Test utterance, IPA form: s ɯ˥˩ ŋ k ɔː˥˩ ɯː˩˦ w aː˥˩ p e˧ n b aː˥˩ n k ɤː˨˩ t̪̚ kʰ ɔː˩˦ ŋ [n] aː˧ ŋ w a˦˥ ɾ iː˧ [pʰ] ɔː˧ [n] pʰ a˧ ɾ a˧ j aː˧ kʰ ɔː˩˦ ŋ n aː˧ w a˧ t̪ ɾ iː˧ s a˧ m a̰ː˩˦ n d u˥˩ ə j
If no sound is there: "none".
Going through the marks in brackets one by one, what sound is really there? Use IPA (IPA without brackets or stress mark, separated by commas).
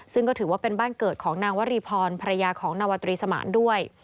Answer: n, pʰ, n